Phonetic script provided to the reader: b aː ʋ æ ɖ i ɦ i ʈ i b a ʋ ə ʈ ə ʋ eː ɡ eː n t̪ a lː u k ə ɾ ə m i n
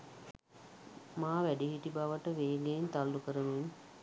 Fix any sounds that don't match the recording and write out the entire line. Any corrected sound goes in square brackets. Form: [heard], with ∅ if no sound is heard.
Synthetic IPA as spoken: [m] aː ʋ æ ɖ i ɦ i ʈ i b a ʋ ə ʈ ə ʋ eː ɡ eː n t̪ a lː u k ə ɾ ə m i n